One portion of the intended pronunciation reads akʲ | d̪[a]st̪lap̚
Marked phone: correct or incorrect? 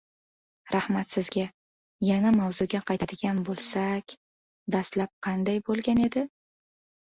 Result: correct